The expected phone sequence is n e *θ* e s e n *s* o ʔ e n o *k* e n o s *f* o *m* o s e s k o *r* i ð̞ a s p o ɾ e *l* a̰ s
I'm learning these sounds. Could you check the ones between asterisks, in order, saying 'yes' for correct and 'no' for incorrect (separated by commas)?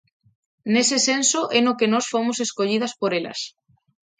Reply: no, yes, yes, yes, yes, no, yes